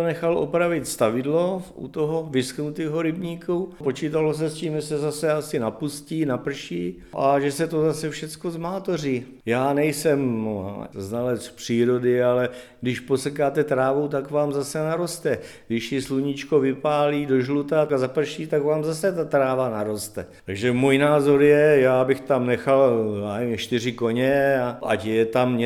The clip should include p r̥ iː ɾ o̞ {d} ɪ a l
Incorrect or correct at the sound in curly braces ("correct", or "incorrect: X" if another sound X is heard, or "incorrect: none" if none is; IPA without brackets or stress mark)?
correct